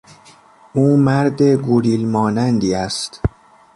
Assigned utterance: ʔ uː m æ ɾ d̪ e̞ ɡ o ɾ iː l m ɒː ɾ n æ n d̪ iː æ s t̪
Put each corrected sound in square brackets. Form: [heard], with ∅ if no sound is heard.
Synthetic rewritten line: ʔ uː m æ ɾ d̪ e̞ ɡ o ɾ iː l m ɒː [∅] n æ n d̪ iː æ s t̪